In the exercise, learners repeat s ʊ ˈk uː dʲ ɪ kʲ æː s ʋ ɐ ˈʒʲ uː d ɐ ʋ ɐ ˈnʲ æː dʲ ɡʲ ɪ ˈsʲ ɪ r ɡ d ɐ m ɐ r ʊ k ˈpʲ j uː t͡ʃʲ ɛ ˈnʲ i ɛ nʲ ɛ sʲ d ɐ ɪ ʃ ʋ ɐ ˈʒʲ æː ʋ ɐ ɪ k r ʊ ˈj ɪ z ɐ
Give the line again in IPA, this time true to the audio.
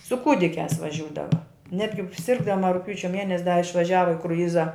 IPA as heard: s ʊ ˈk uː dʲ ɪ kʲ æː s ʋ ɐ ˈʒʲ uː d ɐ ʋ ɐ ˈnʲ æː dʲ ɡʲ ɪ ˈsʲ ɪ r ɡ d ɐ m ɐ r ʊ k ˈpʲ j uː t͡ʃʲ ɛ ˈmʲ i ɛ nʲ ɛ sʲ d ɐ ɪ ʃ ʋ ɐ ˈʒʲ æː ʋ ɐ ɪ k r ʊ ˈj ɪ z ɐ